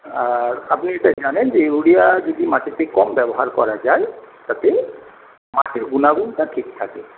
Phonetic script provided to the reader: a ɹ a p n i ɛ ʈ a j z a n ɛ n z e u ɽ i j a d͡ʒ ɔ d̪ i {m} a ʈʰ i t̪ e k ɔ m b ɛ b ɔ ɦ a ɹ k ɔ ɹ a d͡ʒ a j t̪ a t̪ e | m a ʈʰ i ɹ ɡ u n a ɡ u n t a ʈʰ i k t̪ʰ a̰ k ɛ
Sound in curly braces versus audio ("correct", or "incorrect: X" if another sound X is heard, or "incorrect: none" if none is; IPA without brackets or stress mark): correct